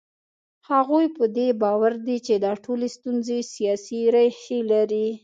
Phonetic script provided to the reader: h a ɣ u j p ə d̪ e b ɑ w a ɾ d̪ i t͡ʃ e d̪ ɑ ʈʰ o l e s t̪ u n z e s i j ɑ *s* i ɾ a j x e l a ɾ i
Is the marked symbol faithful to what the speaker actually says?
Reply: yes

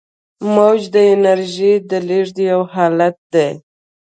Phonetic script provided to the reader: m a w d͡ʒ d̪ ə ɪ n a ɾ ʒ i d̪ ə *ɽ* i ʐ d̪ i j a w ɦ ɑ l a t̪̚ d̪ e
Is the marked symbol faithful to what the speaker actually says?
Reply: no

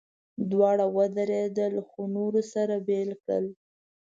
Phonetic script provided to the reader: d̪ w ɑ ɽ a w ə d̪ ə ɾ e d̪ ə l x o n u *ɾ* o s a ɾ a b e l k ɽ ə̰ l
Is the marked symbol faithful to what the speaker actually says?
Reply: yes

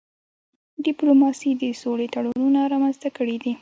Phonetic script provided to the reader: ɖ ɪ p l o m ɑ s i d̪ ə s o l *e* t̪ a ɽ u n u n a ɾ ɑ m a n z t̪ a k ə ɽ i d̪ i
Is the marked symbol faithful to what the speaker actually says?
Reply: yes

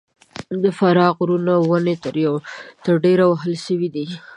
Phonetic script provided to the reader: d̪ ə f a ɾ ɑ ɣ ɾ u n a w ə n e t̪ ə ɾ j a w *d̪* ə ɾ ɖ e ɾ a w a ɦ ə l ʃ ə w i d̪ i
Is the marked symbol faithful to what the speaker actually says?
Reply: no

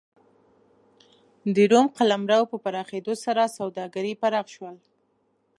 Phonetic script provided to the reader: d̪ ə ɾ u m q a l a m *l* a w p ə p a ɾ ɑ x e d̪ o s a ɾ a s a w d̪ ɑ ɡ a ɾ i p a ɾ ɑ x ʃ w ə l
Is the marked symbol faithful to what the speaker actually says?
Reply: no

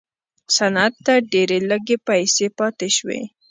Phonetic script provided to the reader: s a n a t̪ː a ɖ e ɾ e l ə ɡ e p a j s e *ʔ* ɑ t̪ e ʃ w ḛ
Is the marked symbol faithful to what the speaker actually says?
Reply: no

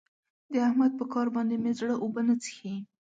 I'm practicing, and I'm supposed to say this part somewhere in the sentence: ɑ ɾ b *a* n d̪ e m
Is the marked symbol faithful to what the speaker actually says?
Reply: no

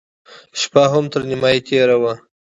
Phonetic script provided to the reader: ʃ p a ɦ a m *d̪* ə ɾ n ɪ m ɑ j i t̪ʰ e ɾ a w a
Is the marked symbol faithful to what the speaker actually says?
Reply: no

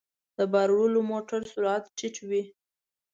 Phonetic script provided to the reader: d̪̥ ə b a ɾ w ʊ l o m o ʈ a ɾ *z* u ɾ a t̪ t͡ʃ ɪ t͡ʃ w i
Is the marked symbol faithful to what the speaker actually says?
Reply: no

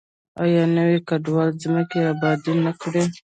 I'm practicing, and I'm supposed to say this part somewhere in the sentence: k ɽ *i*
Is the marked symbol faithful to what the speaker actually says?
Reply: no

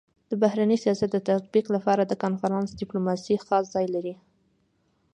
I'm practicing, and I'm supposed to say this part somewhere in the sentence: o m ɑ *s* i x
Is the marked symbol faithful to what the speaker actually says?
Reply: yes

